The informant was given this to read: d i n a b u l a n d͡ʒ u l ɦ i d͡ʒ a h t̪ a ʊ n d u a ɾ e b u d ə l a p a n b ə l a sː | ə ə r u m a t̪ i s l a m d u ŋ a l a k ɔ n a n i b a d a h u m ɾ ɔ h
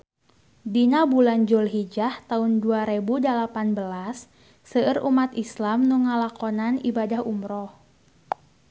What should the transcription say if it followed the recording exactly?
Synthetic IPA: d i n a b u l a n d͡ʒ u l ɦ i d͡ʒ a h t̪ a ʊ n d u a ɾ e b u d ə l a p a n b ə l a sː | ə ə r u m a t̪ i s l a m n u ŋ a l a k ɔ n a n i b a d a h u m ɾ ɔ h